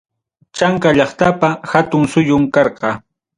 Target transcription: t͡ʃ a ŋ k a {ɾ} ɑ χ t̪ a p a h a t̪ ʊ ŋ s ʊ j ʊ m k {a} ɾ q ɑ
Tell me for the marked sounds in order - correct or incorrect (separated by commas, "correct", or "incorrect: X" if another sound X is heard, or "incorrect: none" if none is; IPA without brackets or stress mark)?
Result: incorrect: ʎ, incorrect: ɑ